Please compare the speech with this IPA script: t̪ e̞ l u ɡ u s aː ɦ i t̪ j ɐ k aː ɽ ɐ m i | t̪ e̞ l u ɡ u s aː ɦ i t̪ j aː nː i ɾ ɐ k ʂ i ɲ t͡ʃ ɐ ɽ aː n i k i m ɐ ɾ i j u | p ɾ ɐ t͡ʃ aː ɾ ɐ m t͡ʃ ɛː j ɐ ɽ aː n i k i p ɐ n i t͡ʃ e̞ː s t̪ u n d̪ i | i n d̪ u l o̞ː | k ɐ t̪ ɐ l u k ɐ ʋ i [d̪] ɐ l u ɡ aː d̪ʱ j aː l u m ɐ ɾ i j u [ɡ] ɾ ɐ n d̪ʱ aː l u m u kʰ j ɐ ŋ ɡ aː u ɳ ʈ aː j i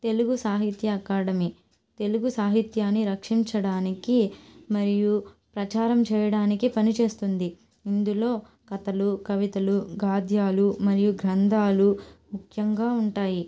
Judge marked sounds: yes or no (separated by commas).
no, yes